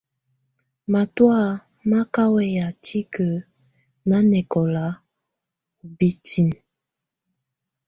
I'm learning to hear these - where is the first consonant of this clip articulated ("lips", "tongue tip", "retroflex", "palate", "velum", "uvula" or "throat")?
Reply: lips